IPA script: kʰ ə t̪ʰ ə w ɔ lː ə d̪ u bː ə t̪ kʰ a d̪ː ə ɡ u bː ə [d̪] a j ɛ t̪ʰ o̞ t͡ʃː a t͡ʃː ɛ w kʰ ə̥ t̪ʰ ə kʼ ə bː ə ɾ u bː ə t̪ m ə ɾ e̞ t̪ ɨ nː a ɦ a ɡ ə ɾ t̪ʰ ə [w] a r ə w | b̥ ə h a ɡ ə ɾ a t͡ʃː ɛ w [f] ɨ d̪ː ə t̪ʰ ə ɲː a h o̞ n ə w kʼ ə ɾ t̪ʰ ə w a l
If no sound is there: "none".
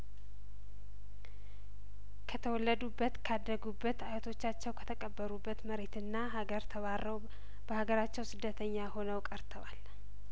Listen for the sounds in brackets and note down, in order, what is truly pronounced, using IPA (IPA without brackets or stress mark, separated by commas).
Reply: t̪, β, s